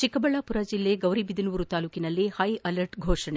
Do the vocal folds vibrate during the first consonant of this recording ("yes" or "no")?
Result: no